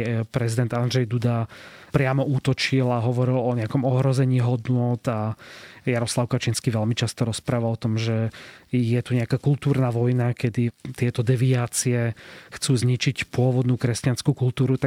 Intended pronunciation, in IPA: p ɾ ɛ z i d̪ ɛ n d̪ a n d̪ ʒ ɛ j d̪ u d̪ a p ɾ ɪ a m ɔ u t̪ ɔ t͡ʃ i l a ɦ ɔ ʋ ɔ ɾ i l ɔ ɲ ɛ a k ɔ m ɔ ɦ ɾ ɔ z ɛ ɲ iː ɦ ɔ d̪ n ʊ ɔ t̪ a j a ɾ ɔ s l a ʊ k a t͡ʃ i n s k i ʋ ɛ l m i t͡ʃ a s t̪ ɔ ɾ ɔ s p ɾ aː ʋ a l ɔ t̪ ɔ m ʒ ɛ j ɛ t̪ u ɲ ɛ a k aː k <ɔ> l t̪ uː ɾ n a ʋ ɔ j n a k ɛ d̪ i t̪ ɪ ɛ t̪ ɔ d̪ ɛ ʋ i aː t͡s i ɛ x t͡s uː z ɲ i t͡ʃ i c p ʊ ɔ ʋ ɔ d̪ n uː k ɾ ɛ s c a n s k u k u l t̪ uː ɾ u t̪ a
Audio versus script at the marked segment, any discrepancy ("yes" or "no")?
yes